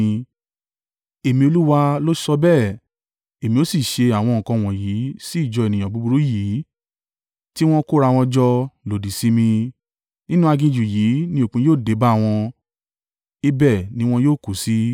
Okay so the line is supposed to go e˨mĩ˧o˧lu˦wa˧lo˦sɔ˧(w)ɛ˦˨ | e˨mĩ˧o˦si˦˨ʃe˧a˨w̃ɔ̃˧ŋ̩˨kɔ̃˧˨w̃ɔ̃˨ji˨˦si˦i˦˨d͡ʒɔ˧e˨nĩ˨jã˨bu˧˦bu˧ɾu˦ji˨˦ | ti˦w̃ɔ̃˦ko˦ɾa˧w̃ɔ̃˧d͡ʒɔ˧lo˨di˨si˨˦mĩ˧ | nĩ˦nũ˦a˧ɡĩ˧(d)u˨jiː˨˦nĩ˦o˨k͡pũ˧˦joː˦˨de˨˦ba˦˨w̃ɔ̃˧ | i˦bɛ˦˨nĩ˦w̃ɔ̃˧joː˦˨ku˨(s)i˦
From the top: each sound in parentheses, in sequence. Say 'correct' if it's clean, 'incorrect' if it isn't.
incorrect: b, incorrect: d͡ʒ, correct

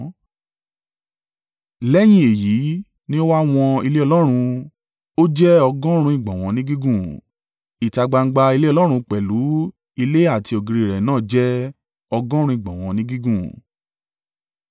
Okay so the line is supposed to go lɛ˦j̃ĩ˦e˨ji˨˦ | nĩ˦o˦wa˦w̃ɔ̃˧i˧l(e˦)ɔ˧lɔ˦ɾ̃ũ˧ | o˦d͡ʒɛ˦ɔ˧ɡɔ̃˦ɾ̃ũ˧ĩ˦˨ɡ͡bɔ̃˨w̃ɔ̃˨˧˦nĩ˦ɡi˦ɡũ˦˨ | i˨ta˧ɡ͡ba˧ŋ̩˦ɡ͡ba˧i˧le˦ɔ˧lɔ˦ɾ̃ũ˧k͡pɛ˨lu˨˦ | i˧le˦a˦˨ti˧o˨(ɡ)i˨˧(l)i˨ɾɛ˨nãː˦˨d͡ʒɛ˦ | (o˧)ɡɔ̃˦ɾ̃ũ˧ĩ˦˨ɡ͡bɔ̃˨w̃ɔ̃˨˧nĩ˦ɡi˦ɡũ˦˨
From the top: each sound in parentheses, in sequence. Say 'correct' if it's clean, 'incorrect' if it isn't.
correct, correct, incorrect: ɾ, incorrect: ɔ˧

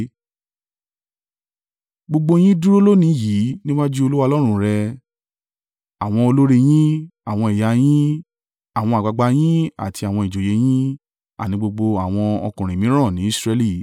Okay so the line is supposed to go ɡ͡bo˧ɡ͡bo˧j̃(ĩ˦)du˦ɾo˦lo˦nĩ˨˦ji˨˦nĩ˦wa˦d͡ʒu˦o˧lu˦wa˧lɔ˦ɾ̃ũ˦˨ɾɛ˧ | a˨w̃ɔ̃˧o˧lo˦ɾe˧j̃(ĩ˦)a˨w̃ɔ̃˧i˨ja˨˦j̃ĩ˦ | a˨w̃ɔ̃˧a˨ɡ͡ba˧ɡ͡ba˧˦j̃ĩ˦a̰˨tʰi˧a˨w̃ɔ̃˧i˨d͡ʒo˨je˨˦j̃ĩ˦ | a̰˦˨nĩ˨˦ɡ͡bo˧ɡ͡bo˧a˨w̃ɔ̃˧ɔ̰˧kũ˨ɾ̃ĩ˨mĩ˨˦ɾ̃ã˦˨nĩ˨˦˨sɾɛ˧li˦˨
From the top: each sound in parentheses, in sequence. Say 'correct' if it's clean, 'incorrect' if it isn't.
correct, correct

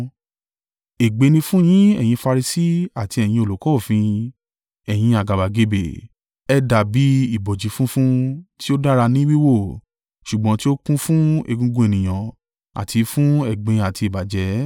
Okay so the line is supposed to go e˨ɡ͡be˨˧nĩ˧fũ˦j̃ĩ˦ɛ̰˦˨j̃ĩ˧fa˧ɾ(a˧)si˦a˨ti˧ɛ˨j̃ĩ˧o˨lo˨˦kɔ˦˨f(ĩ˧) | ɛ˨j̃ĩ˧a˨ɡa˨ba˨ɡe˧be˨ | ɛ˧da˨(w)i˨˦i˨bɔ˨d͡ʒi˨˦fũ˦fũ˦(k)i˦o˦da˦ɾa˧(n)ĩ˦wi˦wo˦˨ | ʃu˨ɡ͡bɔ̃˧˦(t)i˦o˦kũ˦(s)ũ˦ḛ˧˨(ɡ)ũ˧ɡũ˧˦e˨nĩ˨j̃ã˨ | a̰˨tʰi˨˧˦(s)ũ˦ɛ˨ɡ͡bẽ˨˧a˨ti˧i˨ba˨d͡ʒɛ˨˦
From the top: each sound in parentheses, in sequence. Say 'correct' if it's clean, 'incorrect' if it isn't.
incorrect: i˧, correct, incorrect: b, incorrect: t, correct, correct, incorrect: f, correct, incorrect: f

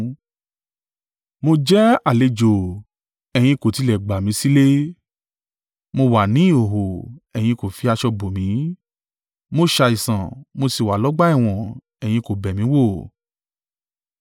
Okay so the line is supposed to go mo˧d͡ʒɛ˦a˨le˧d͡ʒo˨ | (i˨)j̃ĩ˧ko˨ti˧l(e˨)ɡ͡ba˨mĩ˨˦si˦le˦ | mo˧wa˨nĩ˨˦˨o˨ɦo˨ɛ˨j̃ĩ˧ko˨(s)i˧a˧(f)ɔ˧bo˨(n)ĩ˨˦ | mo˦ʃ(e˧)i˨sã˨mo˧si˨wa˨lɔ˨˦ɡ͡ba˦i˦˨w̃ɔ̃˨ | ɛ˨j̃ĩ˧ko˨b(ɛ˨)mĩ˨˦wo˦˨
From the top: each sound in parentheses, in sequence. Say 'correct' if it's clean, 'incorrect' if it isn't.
incorrect: ɛ˨, incorrect: ɛ˨, incorrect: f, incorrect: ʃ, incorrect: m, incorrect: a˧, correct

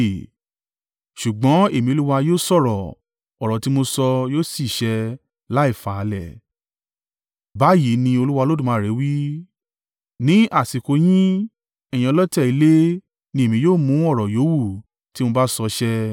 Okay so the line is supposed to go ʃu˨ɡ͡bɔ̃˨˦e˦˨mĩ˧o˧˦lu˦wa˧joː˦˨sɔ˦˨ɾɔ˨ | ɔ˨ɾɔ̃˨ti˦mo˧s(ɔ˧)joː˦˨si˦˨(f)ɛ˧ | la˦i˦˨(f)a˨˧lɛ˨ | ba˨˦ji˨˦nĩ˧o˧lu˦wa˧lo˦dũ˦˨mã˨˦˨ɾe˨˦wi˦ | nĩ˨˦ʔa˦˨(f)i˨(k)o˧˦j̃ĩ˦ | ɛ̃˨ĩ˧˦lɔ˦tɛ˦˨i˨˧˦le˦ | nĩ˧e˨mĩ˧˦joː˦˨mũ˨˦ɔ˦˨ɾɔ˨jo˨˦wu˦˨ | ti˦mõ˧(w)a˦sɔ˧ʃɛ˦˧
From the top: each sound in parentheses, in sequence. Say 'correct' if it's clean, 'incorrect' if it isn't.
correct, incorrect: ʃ, correct, incorrect: s, correct, incorrect: b

